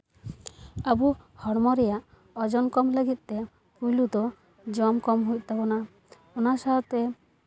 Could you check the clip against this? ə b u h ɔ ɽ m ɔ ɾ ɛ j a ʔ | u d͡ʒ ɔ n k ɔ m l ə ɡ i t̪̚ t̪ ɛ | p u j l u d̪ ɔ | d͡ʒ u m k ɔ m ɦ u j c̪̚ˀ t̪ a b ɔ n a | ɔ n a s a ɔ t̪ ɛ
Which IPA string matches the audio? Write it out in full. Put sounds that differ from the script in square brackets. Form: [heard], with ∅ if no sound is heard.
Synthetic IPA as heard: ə b u h ɔ ɽ m ɔ ɾ ɛ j a ʔ | [ɔ] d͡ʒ ɔ n k ɔ m l ə ɡ i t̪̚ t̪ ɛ | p u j l u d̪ ɔ | d͡ʒ [ɔ] m k ɔ m ɦ u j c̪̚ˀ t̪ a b ɔ n a | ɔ n a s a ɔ t̪ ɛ